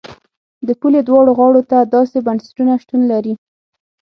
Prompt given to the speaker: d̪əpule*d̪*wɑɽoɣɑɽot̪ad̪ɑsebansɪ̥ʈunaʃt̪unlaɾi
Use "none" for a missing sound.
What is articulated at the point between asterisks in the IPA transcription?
d̪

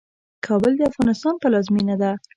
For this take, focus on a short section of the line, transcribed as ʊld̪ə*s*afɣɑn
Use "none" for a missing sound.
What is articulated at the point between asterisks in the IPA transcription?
none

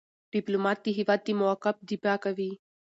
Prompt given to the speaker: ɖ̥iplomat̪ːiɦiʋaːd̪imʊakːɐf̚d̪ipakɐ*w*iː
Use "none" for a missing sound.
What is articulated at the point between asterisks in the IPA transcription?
ʋ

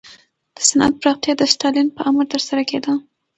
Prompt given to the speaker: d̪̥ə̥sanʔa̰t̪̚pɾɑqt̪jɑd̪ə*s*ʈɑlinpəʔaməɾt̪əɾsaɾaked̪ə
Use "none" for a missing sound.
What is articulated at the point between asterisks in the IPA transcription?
s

